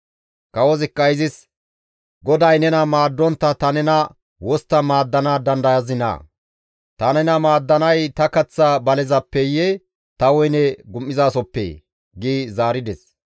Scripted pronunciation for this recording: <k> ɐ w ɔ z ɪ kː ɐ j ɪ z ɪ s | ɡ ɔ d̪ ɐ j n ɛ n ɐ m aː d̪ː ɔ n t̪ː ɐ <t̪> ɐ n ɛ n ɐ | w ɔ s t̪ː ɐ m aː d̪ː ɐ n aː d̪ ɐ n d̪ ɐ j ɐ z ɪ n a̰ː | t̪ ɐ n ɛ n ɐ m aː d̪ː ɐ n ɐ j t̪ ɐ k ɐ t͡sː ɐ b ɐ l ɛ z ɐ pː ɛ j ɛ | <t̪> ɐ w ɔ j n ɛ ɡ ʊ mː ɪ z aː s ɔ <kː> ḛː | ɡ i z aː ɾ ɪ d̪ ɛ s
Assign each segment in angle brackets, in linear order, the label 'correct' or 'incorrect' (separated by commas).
correct, correct, correct, incorrect